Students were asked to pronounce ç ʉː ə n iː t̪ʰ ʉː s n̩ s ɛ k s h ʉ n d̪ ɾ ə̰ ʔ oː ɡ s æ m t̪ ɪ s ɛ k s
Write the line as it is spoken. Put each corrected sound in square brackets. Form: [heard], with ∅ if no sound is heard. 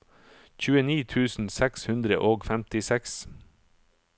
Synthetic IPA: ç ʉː ə n iː t̪ʰ ʉː s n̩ s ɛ k s h ʉ n d̪ ɾ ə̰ ʔ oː ɡ [f] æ m t̪ ɪ s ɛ k s